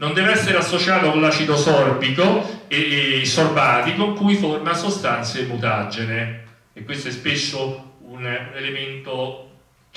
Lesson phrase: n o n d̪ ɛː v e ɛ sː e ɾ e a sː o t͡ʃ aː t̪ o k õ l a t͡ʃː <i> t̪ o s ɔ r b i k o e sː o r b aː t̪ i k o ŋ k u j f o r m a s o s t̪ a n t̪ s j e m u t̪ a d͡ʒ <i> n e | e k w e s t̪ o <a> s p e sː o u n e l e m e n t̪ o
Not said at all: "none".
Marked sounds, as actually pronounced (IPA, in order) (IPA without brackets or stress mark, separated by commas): i, e, ɛ